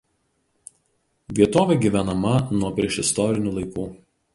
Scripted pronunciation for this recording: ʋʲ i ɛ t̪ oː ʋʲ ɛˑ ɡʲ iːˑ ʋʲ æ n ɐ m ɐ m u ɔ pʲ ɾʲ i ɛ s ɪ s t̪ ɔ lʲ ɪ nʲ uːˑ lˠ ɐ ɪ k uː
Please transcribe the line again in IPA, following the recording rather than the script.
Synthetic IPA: ʋʲ i ɛ t̪ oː ʋʲ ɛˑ ɡʲ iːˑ ʋʲ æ n ɐ m ɐ n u ɔ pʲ ɾʲ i ɛ ʃ ɪ s t̪ ɔ ɾʲ ɪ nʲ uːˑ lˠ ɐ ɪ k uː